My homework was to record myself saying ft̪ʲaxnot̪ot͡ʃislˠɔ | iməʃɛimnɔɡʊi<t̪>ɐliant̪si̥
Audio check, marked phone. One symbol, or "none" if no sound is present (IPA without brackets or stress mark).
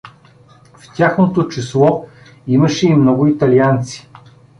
t̪